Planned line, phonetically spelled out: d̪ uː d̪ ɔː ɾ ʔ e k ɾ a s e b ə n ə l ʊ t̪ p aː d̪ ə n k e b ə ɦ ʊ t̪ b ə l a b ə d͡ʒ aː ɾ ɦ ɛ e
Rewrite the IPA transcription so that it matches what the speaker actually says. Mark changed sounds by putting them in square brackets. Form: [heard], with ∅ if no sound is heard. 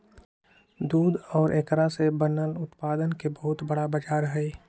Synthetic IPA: d̪ uː d̪ ɔː ɾ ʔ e k ɾ a s e b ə n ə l ʊ t̪ p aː d̪ ə n k e b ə ɦ ʊ t̪ b ə [ɽ] a b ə d͡ʒ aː ɾ ɦ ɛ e